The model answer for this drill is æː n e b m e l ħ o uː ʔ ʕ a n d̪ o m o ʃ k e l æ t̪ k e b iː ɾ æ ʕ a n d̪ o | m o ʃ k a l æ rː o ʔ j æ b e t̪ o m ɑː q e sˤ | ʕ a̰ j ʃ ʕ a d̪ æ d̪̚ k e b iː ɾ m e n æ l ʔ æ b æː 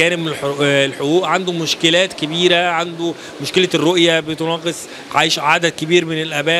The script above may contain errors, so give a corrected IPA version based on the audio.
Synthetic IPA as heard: æː n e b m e l ħ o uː ʔ ʕ a n d̪ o m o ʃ k e l æː t̪ k e b iː ɾ æ ʕ a n d̪ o | m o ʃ k e l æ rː o ʔ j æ b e t̪ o n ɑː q e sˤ | ʕ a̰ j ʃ ʕ a d̪ æ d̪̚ k e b iː ɾ m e n e l ʔ æ b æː